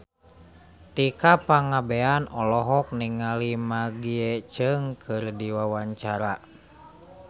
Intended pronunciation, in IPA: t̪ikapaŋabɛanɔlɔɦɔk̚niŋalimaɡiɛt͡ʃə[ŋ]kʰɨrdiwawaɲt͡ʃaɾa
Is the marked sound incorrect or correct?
correct